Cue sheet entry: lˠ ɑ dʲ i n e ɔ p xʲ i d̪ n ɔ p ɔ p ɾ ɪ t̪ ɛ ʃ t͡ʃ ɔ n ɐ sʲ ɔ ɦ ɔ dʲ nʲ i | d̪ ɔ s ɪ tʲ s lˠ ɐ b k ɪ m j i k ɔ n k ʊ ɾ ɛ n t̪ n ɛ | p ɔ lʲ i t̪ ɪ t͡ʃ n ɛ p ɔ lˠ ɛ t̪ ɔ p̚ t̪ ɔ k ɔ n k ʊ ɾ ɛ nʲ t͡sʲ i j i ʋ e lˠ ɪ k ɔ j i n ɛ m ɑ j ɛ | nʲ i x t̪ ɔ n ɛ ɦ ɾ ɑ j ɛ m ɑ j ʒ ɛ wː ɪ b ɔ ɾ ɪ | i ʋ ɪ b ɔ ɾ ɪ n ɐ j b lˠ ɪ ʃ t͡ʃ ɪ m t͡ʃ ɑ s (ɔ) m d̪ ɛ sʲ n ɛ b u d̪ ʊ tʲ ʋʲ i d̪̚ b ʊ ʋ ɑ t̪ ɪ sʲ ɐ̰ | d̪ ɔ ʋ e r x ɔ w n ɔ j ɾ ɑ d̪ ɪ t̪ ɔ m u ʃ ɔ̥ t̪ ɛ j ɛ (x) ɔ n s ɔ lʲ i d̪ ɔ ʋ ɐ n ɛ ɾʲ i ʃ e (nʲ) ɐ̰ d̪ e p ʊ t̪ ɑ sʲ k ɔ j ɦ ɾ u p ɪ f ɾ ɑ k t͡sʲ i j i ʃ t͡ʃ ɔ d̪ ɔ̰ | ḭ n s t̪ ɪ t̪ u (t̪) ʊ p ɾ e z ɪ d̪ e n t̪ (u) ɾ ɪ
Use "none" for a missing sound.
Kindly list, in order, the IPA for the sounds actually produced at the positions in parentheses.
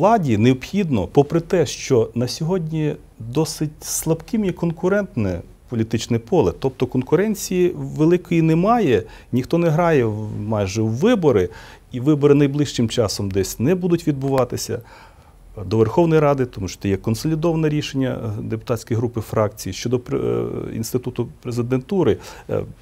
ɔ, k, nʲː, t̪, u

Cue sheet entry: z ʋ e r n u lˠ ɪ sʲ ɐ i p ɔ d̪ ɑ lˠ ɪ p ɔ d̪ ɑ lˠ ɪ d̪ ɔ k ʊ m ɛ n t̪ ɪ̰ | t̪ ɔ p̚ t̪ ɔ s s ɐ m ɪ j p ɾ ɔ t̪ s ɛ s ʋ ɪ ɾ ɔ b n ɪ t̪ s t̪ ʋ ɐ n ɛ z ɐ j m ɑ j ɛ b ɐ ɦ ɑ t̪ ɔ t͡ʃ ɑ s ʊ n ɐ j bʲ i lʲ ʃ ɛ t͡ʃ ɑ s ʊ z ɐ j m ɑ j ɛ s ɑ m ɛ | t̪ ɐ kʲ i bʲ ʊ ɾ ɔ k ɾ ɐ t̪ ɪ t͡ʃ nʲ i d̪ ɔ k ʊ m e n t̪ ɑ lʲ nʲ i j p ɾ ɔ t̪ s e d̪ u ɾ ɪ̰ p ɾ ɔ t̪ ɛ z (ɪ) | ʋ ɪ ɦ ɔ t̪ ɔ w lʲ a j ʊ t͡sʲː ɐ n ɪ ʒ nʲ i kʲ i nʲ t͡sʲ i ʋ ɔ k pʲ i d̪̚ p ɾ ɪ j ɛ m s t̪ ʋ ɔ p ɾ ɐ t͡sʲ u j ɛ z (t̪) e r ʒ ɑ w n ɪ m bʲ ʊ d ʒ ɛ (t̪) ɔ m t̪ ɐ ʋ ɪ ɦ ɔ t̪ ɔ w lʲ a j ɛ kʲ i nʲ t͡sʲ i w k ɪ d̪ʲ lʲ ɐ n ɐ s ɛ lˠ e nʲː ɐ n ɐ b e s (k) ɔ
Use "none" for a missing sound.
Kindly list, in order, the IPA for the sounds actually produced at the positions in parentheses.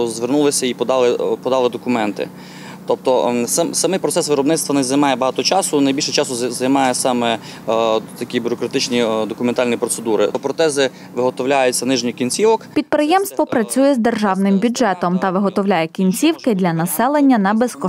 ɪ, d̪, t̪, k

